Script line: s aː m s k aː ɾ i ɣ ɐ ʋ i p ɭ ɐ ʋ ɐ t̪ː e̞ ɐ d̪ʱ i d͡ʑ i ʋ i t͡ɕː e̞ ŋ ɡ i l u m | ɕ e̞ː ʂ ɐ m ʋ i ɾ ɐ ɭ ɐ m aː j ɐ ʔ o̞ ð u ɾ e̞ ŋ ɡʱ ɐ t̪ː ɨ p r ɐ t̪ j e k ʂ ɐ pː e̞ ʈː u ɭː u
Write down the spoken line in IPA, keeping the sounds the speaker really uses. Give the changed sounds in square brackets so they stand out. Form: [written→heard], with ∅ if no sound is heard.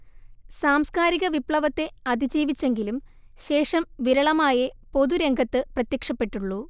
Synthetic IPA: s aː m s k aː ɾ i ɣ ɐ ʋ i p ɭ ɐ ʋ ɐ t̪ː e̞ ɐ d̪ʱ i d͡ʑ [i→iː] ʋ i t͡ɕː e̞ ŋ ɡ i l u m | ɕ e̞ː ʂ ɐ m ʋ i ɾ ɐ ɭ ɐ m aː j ɐ [ʔ→p] o̞ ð u ɾ e̞ ŋ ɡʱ ɐ t̪ː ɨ p r ɐ t̪ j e k ʂ ɐ pː e̞ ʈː u ɭː u